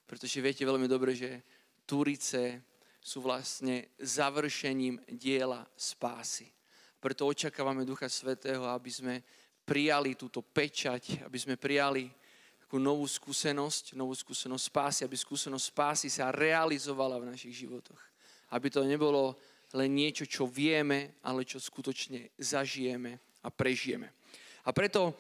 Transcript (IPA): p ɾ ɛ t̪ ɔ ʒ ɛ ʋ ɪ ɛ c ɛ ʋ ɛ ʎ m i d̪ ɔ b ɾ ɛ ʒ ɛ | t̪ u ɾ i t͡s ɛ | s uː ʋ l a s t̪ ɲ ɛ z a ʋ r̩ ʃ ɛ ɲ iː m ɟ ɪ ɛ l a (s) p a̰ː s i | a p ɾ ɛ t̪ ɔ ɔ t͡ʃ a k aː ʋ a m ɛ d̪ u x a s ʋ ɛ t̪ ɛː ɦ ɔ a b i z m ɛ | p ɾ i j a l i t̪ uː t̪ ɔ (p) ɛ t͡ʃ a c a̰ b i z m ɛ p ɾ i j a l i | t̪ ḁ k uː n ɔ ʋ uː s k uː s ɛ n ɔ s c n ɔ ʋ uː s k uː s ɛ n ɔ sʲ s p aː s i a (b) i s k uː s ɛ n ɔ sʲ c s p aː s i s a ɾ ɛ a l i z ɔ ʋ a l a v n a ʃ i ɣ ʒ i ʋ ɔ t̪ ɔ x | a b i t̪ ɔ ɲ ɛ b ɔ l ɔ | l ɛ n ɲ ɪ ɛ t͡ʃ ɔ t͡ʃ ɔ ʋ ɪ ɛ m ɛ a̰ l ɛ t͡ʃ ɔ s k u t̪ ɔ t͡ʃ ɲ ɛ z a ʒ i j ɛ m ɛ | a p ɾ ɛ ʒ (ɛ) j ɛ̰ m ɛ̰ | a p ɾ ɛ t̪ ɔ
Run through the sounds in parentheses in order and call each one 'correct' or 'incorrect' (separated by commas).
correct, correct, correct, incorrect